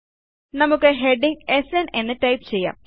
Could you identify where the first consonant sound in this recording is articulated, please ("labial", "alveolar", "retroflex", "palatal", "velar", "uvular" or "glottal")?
alveolar